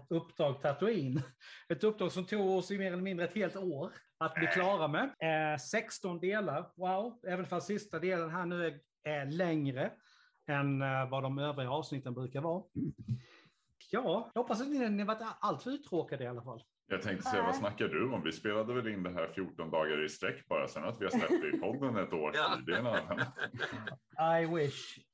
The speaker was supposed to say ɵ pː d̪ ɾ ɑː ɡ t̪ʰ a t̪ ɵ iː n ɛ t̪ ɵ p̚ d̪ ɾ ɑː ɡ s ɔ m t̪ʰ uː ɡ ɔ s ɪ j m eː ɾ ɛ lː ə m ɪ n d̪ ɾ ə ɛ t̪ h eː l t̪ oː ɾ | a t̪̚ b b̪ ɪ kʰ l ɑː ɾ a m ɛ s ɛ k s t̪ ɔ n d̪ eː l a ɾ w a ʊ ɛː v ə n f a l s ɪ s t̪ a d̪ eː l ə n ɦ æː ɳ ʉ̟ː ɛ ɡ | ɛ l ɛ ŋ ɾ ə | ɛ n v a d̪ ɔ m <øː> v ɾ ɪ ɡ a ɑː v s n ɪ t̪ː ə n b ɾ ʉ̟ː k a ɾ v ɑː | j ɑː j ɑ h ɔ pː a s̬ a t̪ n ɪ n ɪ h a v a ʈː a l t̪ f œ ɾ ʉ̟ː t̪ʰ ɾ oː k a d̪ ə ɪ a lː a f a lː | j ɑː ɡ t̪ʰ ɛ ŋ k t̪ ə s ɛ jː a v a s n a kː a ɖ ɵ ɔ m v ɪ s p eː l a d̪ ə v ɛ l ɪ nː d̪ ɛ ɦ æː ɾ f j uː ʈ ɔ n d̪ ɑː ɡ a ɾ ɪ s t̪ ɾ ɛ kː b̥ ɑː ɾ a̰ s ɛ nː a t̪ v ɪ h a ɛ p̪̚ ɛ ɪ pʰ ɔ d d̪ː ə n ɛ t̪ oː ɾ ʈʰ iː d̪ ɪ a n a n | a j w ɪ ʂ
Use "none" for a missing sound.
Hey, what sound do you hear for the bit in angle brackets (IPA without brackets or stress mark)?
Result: øː